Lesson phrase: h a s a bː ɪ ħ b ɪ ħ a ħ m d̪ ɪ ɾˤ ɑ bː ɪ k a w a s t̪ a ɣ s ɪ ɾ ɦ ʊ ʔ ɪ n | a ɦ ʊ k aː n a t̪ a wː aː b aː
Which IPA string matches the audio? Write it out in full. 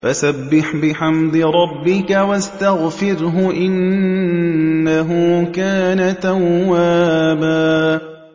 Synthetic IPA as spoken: f a s a bː ɪ ħ b ɪ ħ a m d̪ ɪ ɾˤ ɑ bː ɪ k a w a s t̪ a ɣ f ɪ ɾ ɦ ʊ ʔ ɪ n | a ɦ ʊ k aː n a t̪ a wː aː b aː

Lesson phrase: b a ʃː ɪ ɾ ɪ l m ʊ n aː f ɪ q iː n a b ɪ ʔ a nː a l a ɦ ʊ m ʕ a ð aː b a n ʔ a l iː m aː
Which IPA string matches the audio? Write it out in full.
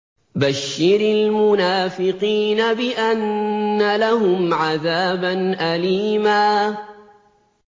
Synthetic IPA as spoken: b a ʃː ɪ ɾ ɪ l m ʊ n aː f ɪ q iː n a b ɪ ʔ a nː a l a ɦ ʊ m ʕ a ð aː b a n ʔ a l iː m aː

